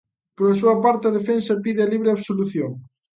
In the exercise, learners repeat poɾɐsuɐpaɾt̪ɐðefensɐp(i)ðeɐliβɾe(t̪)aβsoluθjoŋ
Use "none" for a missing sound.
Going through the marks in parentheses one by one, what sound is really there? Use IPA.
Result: i, none

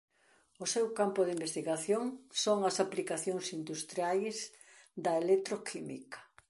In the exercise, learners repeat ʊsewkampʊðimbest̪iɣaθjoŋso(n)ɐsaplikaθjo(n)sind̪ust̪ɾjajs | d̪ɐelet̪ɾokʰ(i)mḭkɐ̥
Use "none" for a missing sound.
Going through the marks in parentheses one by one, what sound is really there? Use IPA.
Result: ŋ, ŋ, i

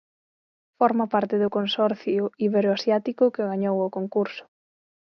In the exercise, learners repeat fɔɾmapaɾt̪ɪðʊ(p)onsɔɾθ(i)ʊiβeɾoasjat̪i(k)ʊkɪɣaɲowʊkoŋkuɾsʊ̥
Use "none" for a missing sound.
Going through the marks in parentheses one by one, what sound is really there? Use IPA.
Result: k, j, k

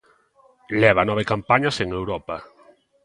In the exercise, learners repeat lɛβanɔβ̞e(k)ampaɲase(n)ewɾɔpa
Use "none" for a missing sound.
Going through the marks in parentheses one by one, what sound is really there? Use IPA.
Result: k, ŋ

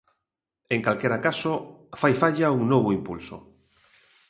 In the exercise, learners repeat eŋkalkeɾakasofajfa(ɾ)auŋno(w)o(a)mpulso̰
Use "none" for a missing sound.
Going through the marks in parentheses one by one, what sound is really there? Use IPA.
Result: ʎ, β, i

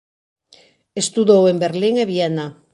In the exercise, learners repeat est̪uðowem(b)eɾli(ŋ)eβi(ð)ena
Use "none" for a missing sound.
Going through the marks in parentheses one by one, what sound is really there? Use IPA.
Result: b, ŋ, none

